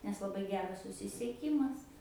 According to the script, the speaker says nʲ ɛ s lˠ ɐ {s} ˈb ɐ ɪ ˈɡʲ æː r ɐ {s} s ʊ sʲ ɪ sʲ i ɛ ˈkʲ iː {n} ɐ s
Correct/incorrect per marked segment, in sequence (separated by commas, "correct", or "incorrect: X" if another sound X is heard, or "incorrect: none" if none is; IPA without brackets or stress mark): incorrect: none, correct, incorrect: m